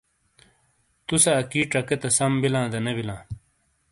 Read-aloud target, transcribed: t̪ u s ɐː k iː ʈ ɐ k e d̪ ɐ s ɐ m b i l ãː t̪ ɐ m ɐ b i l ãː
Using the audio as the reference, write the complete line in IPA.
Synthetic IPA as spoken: t̪ u s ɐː k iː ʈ ɐ k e t̪ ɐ s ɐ m b i l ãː d̪ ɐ n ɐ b i l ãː